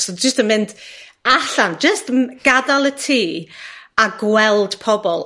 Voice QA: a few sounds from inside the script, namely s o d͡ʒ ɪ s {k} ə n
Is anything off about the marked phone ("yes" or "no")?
yes